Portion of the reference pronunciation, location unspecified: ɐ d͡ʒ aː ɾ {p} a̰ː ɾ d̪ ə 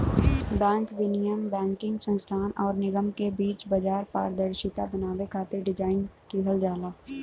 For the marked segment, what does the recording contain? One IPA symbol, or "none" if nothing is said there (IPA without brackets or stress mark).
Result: p